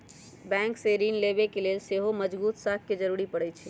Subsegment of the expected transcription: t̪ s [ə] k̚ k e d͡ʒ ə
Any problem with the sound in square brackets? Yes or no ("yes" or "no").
yes